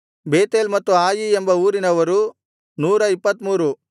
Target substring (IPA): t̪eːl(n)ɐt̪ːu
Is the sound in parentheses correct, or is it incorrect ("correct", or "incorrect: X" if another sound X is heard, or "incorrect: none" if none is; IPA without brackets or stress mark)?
incorrect: m